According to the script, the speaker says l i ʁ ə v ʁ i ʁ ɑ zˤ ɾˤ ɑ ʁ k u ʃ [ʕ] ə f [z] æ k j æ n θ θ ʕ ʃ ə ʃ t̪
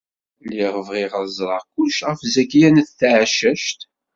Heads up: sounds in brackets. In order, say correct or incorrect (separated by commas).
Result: incorrect, correct